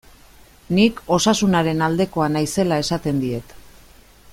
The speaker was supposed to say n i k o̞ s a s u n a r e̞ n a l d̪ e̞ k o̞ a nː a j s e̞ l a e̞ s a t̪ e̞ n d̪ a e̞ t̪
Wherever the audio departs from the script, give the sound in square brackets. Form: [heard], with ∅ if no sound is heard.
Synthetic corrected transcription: n i k o̞ s a s u n a [ɾ] e̞ n a l d̪ e̞ k o̞ a [n] a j s e̞ l a e̞ s a t̪ e̞ n d̪ [i] e̞ t̪